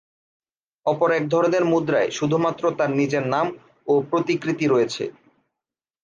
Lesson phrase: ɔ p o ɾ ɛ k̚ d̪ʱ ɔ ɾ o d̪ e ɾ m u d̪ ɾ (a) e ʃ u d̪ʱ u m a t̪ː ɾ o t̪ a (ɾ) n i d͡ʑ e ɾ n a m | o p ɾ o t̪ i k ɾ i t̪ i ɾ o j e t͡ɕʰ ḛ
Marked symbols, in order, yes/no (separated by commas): yes, yes